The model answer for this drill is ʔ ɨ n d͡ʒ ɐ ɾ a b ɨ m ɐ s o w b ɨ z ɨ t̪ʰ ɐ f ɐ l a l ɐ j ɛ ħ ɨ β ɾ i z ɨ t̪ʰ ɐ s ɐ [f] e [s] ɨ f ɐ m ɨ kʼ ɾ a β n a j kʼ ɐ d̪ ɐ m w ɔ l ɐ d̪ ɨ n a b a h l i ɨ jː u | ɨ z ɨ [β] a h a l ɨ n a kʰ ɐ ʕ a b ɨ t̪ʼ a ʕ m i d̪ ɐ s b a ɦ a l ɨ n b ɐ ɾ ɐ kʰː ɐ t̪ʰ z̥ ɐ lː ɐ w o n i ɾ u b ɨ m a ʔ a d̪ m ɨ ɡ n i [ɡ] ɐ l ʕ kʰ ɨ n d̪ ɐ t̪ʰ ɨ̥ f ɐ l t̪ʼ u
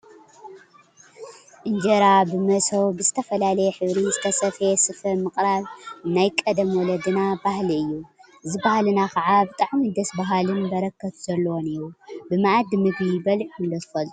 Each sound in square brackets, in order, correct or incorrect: correct, correct, incorrect: b, incorrect: b

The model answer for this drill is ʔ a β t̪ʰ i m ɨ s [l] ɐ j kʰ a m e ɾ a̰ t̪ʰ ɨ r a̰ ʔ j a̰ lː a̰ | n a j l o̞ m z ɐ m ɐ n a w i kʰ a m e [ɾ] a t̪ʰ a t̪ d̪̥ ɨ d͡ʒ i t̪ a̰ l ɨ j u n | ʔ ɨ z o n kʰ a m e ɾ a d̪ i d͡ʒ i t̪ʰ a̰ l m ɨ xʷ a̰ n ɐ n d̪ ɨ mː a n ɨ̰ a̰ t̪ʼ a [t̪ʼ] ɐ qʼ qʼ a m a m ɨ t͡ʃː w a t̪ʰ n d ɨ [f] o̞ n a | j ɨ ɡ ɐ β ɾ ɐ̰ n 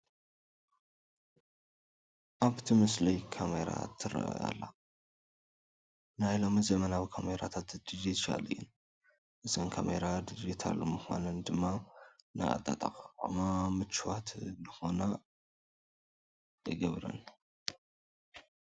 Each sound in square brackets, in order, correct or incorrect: correct, correct, correct, incorrect: x

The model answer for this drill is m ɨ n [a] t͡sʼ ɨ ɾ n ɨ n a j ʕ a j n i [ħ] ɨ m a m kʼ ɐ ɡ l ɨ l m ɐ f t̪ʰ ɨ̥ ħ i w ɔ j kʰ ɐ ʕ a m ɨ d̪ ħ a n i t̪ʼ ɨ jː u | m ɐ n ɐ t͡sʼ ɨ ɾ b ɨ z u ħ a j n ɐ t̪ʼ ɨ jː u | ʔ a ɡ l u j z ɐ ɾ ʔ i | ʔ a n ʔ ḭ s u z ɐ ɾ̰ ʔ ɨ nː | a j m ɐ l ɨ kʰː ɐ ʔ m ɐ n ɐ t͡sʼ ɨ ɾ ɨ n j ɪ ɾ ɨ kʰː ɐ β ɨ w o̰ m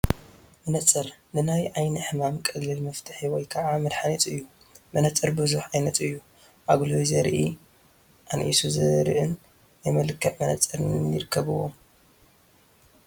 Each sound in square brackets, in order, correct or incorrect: incorrect: ɐ, correct

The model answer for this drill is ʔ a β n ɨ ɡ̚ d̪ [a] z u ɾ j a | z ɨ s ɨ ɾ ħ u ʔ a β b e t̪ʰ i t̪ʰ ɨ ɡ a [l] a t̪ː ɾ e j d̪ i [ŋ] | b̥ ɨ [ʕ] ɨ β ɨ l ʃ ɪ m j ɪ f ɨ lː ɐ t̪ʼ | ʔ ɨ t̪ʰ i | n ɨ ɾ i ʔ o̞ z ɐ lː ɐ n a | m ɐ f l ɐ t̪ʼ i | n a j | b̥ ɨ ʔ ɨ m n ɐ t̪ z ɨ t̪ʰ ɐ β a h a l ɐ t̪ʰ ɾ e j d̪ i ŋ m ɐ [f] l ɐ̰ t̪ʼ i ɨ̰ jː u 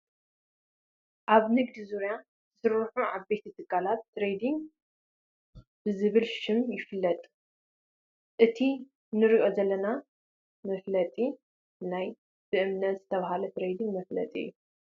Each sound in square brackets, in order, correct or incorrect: incorrect: i, correct, correct, incorrect: z, correct

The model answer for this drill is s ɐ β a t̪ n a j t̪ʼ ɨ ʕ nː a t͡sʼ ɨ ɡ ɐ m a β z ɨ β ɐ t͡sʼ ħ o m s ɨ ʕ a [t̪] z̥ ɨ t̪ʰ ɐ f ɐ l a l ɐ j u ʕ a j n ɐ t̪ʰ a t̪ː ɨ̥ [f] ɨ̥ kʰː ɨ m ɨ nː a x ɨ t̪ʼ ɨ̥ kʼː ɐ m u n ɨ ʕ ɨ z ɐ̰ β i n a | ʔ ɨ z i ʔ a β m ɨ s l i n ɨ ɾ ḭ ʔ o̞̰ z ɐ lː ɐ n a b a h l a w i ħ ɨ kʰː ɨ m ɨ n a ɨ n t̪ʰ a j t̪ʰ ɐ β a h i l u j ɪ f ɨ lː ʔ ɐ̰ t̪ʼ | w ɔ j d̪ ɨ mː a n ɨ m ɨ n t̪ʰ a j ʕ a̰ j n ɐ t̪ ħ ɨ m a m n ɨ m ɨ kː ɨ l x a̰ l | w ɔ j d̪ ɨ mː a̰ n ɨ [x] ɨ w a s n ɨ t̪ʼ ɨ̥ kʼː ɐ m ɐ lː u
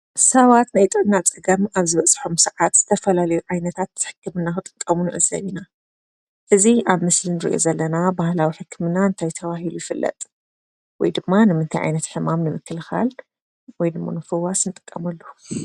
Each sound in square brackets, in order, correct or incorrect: correct, incorrect: ħ, incorrect: f

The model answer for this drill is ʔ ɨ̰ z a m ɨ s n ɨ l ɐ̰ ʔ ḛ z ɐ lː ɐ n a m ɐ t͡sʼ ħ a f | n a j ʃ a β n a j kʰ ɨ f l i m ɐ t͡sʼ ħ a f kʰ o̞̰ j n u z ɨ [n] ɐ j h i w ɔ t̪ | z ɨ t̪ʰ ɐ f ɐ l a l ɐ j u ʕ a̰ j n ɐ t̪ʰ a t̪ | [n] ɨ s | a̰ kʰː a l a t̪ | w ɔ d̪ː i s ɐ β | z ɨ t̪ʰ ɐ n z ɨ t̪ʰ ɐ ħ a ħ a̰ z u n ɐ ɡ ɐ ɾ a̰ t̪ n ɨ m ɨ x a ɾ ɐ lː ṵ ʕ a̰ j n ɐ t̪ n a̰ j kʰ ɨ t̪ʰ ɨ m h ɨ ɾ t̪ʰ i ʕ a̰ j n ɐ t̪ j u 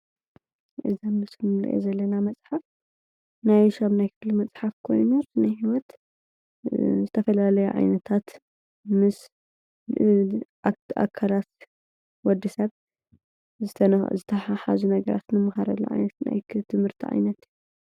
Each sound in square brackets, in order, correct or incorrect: correct, incorrect: m

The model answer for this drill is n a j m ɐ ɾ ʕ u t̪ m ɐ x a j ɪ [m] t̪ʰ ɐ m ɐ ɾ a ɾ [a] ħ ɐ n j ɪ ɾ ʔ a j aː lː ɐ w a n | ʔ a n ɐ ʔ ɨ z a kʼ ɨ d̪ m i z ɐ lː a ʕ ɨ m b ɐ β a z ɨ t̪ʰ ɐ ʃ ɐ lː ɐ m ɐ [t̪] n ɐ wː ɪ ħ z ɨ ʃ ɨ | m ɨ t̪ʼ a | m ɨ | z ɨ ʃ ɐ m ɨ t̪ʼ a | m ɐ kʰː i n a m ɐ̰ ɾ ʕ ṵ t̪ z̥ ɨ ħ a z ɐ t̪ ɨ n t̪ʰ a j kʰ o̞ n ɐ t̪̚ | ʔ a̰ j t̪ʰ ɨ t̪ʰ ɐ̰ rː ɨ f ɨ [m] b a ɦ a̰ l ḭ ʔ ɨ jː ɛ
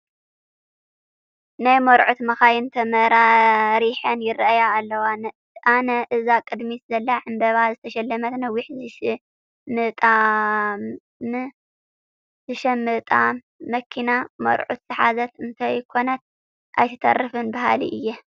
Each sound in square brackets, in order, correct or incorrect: incorrect: n, incorrect: i, correct, incorrect: n

